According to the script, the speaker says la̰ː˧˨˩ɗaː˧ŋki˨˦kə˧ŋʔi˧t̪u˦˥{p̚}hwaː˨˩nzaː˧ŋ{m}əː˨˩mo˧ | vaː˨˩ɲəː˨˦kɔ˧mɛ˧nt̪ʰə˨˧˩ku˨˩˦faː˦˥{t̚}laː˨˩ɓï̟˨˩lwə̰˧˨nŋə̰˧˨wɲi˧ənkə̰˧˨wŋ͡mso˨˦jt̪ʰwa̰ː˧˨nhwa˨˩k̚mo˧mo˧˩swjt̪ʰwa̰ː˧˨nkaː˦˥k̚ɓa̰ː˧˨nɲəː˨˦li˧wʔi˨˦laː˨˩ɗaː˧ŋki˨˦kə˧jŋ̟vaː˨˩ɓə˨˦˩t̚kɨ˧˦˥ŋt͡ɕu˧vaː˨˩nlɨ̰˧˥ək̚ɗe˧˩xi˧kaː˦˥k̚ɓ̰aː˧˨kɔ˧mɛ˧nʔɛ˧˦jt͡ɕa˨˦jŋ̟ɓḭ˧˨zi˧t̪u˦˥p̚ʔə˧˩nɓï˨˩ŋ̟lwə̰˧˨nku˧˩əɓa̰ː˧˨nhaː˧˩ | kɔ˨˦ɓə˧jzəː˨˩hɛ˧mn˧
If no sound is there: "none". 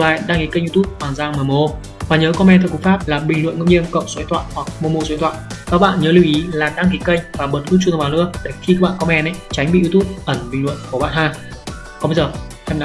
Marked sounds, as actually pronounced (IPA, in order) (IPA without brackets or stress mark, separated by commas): p̚, m, p̚